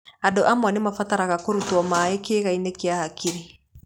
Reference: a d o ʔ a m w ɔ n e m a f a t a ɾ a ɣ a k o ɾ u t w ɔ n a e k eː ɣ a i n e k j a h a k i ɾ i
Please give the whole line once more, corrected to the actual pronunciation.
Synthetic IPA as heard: a d o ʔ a m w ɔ n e m a f a t a ɾ a ɣ a k o ɾ u t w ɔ m a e k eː ɣ a i n e k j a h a k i ɾ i